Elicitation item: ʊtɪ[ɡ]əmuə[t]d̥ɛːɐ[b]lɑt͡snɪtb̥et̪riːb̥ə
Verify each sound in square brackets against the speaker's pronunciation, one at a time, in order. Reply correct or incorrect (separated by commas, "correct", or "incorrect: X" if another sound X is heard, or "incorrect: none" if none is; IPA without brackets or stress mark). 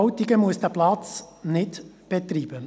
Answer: correct, incorrect: s, incorrect: p